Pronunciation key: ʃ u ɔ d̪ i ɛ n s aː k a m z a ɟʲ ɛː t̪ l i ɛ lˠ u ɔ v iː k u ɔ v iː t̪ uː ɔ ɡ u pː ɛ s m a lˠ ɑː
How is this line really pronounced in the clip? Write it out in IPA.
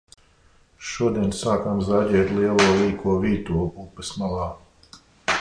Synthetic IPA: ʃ u ɔ d̪ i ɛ n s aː k a m z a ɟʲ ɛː t̪ l i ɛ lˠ u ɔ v iː k u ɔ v iː t̪ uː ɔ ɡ u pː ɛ s m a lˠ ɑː